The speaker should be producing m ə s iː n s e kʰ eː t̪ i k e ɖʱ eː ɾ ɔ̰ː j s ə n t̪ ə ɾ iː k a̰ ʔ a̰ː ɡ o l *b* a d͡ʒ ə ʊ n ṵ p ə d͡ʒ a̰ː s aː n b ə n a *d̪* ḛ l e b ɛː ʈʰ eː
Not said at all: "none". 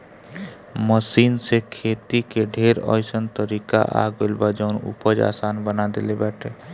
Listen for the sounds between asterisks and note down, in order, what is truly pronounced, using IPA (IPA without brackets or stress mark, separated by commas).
b, d̪